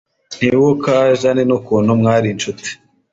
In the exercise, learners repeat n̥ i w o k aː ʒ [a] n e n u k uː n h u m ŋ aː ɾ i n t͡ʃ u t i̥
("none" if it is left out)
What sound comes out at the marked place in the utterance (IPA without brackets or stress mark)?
a